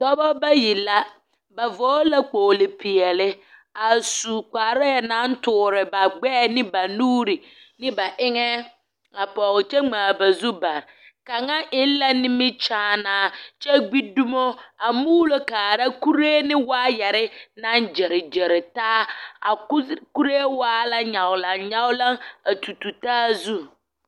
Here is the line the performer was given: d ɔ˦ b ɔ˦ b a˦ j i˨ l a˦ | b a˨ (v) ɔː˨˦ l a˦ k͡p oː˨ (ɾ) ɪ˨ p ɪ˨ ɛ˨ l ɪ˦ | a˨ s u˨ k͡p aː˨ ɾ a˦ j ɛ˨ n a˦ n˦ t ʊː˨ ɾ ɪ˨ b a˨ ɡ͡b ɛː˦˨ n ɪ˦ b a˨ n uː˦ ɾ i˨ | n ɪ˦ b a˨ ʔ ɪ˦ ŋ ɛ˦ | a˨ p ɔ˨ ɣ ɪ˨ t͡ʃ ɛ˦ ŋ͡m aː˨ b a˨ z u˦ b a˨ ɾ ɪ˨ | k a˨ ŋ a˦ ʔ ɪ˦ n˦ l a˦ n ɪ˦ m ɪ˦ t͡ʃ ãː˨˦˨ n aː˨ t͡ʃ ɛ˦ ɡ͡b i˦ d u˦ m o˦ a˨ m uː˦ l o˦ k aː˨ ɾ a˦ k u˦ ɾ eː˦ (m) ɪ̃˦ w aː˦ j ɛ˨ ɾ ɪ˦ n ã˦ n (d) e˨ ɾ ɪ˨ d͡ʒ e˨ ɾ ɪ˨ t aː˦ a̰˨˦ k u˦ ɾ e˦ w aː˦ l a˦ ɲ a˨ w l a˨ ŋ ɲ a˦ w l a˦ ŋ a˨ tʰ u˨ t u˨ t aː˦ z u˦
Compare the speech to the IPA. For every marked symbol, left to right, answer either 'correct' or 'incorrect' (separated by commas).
correct, incorrect, incorrect, incorrect